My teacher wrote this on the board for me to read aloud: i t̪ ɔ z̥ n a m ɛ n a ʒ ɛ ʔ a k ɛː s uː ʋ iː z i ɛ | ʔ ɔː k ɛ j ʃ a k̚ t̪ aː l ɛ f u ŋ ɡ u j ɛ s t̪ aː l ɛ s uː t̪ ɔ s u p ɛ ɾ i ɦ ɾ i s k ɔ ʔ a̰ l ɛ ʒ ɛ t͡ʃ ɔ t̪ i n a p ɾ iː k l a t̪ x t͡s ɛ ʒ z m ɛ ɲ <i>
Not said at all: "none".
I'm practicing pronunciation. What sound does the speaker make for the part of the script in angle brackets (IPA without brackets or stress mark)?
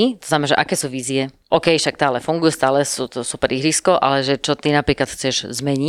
i